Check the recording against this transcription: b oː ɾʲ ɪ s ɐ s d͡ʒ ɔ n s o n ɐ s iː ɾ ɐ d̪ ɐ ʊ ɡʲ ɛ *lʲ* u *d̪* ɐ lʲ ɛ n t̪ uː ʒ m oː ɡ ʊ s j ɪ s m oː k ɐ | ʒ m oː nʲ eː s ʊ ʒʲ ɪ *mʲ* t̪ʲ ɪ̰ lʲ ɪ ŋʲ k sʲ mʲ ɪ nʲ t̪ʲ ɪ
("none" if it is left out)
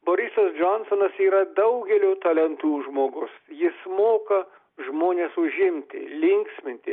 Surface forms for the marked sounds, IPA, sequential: lʲ, t̪, mʲ

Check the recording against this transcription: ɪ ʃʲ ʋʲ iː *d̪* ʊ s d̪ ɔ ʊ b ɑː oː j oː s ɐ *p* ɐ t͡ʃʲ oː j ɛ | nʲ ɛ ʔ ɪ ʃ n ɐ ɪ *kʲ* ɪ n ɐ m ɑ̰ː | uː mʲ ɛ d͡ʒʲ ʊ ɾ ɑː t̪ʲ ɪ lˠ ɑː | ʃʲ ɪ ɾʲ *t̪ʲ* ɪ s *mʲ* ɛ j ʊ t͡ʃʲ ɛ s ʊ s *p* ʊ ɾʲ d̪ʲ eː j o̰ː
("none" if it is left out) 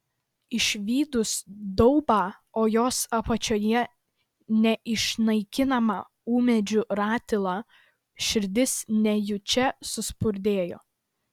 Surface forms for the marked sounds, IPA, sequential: d̪, p, kʲ, d̪ʲ, nʲ, p

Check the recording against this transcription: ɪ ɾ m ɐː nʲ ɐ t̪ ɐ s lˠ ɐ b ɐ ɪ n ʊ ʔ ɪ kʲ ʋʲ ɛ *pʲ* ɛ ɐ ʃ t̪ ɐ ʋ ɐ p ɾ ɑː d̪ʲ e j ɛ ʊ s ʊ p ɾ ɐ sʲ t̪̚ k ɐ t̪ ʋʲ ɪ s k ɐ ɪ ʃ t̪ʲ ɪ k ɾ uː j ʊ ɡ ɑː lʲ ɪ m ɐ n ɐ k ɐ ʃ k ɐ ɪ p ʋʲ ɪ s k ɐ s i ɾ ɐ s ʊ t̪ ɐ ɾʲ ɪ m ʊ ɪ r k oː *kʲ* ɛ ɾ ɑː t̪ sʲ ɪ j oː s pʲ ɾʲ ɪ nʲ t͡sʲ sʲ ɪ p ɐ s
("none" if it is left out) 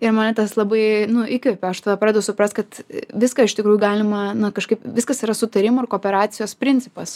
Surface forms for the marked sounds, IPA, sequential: pʲ, pʲ

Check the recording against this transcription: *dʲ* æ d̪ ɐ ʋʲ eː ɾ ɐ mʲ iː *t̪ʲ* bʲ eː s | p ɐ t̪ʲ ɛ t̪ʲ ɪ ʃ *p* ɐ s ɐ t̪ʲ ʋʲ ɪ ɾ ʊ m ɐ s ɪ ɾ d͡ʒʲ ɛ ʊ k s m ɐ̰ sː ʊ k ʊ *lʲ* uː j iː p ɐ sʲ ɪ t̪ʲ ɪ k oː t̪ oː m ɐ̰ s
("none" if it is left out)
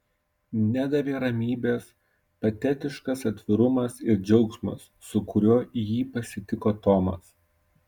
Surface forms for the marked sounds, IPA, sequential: nʲ, none, k, ɾʲ

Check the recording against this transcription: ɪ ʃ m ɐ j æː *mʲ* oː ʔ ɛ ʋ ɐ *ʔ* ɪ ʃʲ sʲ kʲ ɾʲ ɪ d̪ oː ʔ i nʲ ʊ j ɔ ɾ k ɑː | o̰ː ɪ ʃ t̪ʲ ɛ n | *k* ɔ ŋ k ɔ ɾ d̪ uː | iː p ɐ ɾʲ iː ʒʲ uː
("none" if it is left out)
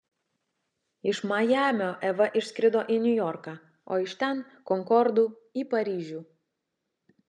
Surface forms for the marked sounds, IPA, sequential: mʲ, ʔ, k

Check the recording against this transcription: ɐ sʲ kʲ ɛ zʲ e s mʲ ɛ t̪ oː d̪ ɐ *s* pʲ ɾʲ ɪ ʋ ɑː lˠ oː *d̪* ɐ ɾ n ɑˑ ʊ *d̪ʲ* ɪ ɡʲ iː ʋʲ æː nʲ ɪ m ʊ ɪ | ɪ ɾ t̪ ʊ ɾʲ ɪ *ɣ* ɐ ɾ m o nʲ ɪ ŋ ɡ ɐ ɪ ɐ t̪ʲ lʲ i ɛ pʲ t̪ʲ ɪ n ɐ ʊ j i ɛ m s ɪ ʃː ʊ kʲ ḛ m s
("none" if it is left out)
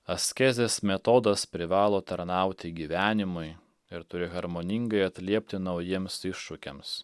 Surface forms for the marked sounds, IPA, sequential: s, t̪, t̪ʲ, ɣ

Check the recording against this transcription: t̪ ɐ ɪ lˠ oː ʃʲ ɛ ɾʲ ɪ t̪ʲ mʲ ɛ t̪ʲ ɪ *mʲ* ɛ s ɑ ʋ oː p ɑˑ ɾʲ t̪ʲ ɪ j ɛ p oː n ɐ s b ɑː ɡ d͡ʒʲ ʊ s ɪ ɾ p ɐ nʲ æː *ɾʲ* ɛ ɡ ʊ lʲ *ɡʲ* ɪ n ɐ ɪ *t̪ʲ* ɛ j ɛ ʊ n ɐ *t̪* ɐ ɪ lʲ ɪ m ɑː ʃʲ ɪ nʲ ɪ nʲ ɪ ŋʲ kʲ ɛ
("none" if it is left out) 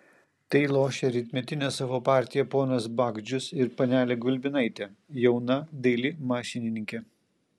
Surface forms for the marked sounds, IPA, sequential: nʲ, lʲ, bʲ, t̪ʲ, d̪

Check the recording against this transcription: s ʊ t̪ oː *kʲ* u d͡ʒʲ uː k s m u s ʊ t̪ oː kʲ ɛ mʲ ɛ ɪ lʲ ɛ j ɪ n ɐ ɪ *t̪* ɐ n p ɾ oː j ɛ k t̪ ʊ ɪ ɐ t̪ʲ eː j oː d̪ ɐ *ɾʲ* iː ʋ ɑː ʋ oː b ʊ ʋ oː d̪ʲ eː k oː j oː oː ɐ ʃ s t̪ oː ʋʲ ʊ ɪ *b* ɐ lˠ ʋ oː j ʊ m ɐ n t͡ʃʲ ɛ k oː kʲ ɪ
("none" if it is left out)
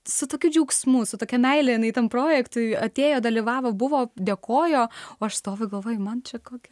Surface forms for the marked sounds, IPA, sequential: kʲ, t̪, lʲ, ɡ

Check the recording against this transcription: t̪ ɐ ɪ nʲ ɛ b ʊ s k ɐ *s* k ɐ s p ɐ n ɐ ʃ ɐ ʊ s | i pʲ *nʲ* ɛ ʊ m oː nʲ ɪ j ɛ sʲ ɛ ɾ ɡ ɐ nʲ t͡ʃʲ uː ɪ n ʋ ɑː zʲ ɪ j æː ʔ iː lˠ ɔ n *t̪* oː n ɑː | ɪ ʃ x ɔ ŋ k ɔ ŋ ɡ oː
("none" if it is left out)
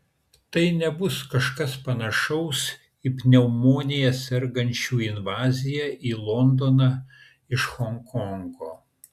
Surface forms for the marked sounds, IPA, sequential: ʃ, nʲ, d̪

